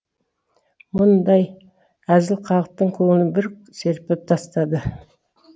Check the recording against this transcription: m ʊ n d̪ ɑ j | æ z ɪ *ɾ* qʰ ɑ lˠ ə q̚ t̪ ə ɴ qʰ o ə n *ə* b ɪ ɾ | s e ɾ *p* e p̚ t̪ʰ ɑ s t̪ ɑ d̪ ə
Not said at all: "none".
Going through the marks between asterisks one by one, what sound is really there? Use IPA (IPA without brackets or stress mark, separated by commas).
l, ə, p